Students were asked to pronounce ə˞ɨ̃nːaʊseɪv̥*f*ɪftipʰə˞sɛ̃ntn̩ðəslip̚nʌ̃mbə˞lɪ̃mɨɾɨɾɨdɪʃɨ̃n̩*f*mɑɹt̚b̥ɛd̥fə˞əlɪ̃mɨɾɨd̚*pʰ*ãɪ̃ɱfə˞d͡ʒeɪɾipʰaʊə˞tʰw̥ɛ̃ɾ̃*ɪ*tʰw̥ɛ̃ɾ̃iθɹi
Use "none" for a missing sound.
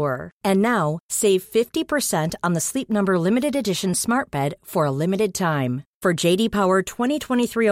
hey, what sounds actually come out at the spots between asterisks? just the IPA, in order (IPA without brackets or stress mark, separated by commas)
f, s, tʰ, i